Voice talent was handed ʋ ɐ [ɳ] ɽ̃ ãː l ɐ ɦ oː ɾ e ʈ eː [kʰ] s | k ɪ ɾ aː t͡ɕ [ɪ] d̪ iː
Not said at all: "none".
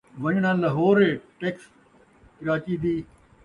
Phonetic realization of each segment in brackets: ɲ, k, i

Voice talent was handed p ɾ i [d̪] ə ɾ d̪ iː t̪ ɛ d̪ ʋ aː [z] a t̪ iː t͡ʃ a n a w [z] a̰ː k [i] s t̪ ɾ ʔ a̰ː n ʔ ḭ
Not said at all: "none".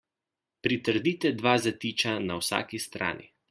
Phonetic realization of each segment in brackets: t̪, z, s, i

